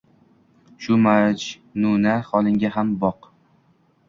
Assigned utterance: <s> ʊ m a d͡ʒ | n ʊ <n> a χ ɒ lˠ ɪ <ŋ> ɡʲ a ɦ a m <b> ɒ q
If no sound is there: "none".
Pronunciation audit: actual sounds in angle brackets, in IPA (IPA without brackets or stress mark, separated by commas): ʃ, n, ŋ, b